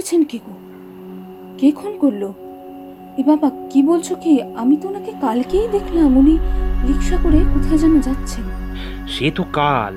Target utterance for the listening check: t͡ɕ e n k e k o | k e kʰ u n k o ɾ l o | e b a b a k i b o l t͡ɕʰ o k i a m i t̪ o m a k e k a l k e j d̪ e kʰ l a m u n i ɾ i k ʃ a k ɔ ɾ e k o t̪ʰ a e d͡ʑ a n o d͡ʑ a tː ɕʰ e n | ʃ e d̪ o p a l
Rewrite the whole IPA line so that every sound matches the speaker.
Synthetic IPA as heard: t͡ɕʰ e n k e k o | k e kʰ o n k o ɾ l o | e b a b a k i b o l t͡ɕʰ o k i a m i t̪ o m a k e k a l k e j d̪ e kʰ l a m u n i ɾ i k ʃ a k o ɾ e k o t̪ʰ a e d͡ʑ a n o d͡ʑ a tː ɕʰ e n | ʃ e t̪ o k a l